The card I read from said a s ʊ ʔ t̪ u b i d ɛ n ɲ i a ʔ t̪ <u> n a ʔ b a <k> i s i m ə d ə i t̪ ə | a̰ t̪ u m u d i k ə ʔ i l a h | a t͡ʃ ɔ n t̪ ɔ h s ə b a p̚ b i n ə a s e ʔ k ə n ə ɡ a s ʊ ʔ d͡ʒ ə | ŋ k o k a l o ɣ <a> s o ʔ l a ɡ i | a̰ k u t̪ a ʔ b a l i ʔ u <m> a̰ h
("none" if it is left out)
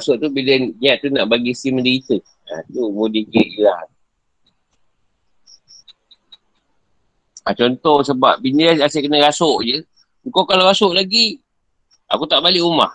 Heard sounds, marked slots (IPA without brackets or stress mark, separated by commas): u, ɡ, a, m